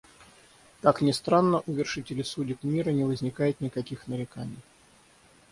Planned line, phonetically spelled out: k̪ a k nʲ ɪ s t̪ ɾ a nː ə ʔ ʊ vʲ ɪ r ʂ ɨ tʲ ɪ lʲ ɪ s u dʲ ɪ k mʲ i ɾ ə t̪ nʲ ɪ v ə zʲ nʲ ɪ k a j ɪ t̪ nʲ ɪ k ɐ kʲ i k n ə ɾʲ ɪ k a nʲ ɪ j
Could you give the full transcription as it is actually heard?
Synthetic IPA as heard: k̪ a k nʲ ɪ s t̪ ɾ a nː ə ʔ ʊ vʲ ɪ r ʂ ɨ tʲ ɪ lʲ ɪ s u dʲ ɪ k mʲ i ɾ ə nʲ ɪ v ə zʲ nʲ ɪ k a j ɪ t̪ nʲ ɪ k ɐ kʲ i x n ə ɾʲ ɪ k a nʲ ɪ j